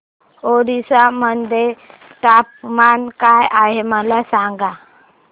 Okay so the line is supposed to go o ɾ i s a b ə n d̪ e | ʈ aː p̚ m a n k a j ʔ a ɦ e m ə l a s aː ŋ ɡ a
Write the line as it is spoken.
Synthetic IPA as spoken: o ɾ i s a m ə n d̪ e | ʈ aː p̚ m a n k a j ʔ a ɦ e m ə l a s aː ŋ ɡ a